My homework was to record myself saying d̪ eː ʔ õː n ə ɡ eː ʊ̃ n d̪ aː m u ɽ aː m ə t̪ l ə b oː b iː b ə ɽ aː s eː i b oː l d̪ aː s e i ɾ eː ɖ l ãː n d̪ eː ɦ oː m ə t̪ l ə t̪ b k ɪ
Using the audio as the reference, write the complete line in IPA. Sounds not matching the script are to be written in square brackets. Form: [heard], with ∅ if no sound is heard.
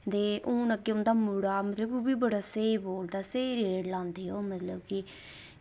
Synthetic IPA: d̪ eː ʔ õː n ə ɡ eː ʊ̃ n d̪ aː m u ɽ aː m ə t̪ l ə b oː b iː b ə ɽ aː s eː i b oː l d̪ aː s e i ɾ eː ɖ l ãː n d̪ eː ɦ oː m ə t̪ l ə [∅] b k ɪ